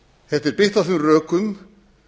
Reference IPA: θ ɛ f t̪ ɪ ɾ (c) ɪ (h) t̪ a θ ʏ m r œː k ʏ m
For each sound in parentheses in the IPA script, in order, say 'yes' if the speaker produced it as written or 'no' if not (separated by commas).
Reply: no, yes